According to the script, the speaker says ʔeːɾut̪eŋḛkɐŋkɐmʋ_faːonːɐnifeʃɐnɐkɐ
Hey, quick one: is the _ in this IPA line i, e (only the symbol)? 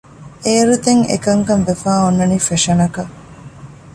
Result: e